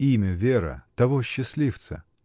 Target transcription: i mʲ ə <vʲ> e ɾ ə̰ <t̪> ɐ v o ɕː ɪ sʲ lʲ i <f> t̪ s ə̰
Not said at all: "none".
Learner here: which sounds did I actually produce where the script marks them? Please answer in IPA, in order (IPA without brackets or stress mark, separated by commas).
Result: vʲ, t̪, f